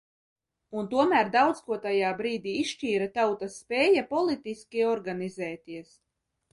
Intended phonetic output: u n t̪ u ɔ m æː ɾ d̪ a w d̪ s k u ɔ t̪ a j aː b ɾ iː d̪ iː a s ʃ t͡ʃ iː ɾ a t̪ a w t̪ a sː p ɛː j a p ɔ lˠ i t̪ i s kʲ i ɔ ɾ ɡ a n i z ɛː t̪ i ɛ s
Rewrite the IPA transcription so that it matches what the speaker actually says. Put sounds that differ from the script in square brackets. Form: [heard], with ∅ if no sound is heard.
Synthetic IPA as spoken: u n t̪ u ɔ m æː ɾ d̪ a w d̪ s k u ɔ t̪ a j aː b ɾ iː d̪ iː [i] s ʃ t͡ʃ iː ɾ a t̪ a w t̪ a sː p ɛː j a p ɔ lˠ i t̪ i s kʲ i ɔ ɾ ɡ a n i z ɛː t̪ i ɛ s